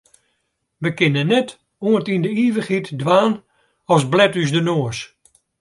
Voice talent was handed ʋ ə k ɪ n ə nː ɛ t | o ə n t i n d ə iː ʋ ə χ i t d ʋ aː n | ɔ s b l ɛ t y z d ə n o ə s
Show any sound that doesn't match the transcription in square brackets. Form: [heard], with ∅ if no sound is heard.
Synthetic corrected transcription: ʋ ə k ɪ n ə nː ɛ t | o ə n t i n d ə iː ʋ ə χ i t d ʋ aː n | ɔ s b l ɛ t y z d ə n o ə s